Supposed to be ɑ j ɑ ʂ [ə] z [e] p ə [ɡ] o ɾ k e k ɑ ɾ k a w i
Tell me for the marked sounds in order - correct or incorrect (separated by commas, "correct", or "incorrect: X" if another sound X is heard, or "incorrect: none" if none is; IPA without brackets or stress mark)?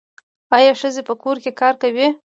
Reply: correct, correct, incorrect: k